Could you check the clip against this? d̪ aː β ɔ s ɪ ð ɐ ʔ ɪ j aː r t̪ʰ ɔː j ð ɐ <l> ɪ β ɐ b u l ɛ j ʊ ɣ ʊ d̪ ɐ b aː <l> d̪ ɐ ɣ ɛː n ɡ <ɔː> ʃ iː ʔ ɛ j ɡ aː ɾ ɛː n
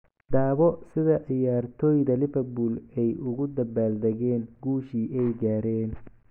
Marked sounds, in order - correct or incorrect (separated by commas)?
correct, correct, incorrect